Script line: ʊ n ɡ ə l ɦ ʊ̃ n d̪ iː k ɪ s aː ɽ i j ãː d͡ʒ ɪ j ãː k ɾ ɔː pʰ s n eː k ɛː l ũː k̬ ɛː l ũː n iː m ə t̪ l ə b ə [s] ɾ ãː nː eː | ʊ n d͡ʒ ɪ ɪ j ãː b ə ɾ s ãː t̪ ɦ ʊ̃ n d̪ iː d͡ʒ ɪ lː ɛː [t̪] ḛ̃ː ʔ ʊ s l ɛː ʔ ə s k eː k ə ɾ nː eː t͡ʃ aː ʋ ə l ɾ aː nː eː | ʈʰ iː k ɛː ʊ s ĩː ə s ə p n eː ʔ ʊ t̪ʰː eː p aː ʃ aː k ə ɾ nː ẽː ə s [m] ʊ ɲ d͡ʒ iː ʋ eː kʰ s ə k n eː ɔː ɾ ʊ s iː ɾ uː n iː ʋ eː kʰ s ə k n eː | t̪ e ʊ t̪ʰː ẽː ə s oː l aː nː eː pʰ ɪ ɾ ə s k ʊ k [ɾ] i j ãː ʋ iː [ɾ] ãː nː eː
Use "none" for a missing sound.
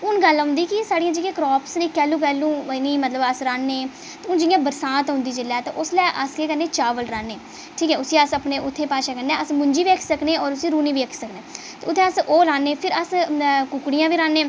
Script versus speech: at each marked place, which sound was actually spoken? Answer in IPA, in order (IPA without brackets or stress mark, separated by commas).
s, t̪, m, ɽ, ɾ